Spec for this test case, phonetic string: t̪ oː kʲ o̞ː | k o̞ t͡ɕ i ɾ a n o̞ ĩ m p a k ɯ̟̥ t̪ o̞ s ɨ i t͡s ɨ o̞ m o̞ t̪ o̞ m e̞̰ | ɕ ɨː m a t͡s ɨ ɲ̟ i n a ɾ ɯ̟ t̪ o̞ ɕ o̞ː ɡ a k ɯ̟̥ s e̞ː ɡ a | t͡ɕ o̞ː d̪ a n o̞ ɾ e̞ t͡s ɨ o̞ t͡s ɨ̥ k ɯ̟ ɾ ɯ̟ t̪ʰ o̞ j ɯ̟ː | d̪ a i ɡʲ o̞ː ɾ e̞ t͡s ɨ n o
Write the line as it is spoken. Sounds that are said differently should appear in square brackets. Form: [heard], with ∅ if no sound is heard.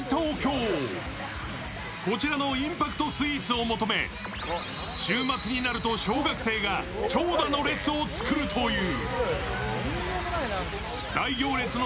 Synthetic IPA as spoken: t̪ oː kʲ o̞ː | k o̞ t͡ɕ i ɾ a n o̞ ĩ m p a k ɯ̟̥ t̪ o̞ s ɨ i t͡s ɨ o̞ m o̞ t̪ o̞ m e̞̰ | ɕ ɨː m a t͡s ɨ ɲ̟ i n a ɾ ɯ̟ t̪ o̞ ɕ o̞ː ɡ a k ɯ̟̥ s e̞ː ɡ a | t͡ɕ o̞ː d̪ a n o̞ ɾ e̞ t͡s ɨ o̞ t͡s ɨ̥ k ɯ̟ ɾ ɯ̟ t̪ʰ o̞ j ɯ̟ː | d̪ a i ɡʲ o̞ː ɾ e̞ t͡s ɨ n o